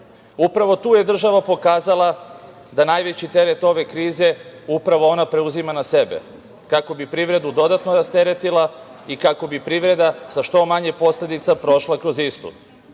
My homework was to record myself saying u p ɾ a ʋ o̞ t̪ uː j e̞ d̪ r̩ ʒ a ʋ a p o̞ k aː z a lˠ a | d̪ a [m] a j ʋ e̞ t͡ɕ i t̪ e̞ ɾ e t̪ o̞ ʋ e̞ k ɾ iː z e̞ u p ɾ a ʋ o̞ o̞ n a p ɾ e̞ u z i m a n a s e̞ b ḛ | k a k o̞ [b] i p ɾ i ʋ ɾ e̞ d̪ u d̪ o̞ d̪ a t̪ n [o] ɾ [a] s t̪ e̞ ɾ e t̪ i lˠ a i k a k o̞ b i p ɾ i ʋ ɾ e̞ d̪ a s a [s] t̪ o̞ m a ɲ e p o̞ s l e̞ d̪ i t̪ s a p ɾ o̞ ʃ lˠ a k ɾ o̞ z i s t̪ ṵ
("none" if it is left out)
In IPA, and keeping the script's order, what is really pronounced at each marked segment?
n, b, o, a, ʃ

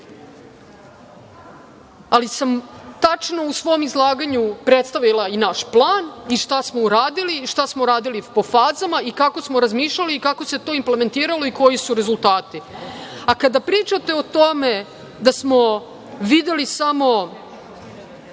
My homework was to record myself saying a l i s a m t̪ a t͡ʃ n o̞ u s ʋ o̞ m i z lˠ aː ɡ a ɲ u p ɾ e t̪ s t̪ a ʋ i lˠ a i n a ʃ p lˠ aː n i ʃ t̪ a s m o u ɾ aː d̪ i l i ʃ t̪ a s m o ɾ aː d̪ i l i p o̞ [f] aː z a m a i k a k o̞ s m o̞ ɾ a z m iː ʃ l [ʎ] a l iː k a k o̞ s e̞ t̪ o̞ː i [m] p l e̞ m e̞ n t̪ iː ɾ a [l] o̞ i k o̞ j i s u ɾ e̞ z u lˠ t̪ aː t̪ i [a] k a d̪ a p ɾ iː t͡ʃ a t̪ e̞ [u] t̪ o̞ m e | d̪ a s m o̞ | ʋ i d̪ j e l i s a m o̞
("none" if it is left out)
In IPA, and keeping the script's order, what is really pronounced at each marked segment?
f, ʎ, m, l, a, o

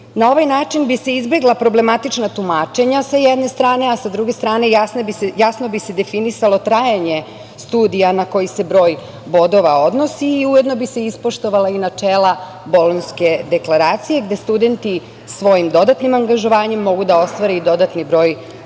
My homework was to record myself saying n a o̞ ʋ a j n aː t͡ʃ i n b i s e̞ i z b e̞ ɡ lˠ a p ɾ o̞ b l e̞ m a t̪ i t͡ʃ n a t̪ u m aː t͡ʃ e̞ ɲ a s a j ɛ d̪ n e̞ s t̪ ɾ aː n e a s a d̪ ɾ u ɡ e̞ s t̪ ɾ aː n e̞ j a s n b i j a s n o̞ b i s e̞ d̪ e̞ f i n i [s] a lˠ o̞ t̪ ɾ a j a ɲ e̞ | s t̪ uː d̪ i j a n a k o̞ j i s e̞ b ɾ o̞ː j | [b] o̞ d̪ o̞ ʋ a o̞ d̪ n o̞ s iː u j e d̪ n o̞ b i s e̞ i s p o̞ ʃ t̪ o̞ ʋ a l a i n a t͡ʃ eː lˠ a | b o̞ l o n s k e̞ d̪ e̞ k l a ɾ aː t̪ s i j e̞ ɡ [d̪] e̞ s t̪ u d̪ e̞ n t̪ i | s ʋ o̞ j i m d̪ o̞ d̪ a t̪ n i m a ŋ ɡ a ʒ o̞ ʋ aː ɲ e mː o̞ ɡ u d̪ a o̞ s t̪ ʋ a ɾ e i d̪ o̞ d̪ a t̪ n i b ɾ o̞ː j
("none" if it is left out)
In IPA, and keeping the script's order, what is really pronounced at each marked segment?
s, b, d̪

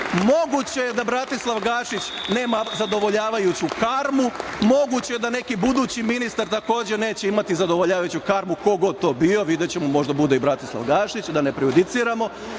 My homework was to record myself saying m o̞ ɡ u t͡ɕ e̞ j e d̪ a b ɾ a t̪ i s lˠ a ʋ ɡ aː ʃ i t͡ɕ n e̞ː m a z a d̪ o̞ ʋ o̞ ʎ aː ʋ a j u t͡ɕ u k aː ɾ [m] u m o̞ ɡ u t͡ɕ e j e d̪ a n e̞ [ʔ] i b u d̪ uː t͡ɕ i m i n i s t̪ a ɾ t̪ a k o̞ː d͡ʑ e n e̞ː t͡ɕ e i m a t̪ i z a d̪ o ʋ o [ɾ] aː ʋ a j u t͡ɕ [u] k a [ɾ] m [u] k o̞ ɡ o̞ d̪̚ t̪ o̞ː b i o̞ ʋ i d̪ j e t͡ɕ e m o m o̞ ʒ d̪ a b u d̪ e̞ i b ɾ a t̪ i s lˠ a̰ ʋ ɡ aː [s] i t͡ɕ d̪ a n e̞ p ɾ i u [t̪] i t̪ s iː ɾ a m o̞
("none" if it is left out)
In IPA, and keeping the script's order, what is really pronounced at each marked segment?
m, k, ʎ, u, ɾ, u, ʃ, d̪

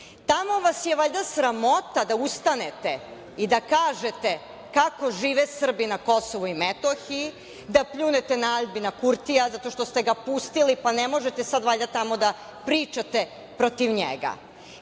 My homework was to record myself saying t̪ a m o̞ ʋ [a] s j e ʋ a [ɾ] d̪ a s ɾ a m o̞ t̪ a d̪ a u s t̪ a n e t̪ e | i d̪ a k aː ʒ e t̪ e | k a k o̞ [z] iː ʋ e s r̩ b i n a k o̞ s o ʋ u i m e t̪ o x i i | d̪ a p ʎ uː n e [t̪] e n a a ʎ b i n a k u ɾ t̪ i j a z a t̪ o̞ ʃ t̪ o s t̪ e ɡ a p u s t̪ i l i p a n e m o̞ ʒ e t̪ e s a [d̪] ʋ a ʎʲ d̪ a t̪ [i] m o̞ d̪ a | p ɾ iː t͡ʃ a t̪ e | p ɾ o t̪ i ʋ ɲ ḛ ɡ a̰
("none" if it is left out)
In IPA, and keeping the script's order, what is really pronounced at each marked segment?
a, ʎ, ʒ, t̪, d̪, a

